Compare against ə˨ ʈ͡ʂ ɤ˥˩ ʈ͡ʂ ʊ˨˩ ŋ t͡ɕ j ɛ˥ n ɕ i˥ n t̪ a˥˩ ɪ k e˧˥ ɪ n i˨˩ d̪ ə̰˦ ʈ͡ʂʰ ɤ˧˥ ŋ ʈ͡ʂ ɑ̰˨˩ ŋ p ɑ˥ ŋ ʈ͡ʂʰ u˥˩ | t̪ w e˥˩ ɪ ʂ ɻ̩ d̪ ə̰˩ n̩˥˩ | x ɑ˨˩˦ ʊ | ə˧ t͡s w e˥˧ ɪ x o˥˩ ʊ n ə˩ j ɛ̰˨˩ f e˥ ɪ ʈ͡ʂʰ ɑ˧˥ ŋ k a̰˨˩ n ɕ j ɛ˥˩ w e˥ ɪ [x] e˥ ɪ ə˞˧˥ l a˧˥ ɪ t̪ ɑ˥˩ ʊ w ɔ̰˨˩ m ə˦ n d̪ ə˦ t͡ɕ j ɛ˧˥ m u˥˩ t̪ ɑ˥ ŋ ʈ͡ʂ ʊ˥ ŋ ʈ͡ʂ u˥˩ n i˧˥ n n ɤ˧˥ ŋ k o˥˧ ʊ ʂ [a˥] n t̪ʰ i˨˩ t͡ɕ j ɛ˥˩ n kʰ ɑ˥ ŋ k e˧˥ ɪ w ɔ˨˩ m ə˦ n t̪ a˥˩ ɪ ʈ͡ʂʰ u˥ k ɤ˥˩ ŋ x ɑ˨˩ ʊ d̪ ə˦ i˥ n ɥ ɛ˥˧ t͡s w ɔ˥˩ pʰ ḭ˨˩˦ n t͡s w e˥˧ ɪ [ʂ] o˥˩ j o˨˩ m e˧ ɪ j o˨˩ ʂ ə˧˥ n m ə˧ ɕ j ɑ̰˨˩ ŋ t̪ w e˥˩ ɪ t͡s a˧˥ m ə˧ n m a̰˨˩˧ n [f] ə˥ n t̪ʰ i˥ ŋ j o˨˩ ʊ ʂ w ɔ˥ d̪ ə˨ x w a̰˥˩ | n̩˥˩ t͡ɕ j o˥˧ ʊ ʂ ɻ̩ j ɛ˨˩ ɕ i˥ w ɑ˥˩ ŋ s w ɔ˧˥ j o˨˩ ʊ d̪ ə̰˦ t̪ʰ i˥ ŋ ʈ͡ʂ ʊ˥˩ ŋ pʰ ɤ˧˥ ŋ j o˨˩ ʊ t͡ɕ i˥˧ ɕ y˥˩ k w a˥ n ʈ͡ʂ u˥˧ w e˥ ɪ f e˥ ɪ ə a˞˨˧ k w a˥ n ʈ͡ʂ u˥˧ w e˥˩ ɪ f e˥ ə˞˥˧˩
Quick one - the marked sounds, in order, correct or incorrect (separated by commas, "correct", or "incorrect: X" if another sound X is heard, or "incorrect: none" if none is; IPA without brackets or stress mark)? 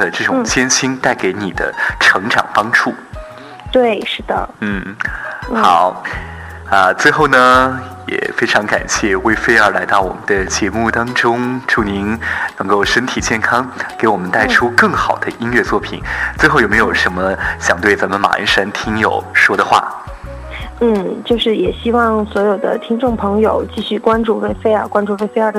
incorrect: f, incorrect: ə˥, incorrect: x, incorrect: ʂ